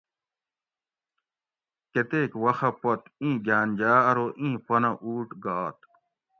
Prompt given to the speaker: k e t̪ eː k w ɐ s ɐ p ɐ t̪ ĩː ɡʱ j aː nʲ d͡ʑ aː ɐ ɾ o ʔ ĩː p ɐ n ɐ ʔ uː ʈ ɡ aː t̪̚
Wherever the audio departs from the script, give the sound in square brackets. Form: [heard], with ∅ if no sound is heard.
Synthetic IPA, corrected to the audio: k e t̪ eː k w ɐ [x] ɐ p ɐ t̪ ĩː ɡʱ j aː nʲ d͡ʑ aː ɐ ɾ o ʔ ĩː p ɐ n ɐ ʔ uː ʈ ɡ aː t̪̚